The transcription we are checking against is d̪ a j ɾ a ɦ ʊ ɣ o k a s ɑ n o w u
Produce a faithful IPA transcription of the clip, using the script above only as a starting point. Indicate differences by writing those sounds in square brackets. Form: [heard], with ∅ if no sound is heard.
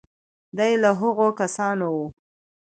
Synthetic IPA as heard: d̪ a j [l] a ɦ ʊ ɣ o k a s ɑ n o w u